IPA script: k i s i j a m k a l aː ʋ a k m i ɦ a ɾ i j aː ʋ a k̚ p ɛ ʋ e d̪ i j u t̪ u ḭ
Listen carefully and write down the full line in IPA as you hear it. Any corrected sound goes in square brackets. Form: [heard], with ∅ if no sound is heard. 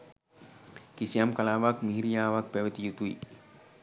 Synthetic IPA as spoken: k i s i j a m k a l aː ʋ a k m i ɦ [i] ɾ i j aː ʋ a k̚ p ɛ ʋ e [t̪] i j u t̪ u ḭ

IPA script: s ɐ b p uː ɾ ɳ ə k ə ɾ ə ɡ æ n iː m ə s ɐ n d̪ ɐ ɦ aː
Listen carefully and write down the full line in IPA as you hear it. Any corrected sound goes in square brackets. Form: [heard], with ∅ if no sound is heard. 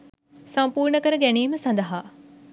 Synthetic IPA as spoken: s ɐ [m] p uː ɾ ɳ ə k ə ɾ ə ɡ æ n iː m ə s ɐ n d̪ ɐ ɦ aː

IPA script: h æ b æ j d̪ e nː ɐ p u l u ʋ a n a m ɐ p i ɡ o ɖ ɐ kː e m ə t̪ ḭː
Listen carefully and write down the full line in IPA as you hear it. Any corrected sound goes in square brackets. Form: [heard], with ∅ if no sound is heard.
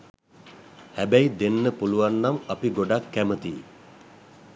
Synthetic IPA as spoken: h æ b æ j d̪ e nː [ə] p u l u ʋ a [nː] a m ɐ p i ɡ o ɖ [a] kː [æ] m ə t̪ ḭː

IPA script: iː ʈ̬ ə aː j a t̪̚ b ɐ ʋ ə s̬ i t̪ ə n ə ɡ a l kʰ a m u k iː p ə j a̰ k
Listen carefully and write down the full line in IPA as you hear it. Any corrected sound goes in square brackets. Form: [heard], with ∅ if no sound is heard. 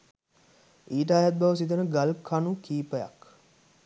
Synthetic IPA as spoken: iː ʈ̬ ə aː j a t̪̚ b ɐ ʋ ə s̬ i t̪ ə n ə ɡ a l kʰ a [n] u k iː p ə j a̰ k

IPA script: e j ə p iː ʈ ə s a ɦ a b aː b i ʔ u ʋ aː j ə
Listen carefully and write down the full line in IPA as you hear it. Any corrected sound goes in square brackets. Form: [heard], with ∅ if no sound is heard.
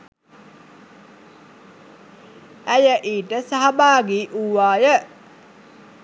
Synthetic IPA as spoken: [æ] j ə [ʔ] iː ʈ ə s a ɦ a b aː [ɡ] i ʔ u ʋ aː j ə

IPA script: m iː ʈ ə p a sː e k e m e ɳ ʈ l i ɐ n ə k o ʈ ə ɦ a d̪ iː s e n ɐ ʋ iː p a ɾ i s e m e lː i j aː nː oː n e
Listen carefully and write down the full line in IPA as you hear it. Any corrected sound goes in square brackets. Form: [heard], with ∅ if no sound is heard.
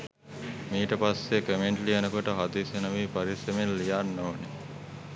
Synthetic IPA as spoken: m iː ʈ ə p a sː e k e m e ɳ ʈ l i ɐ n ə k o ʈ ə ɦ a d̪ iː s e n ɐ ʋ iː p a ɾ i s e m e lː i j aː nː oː n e

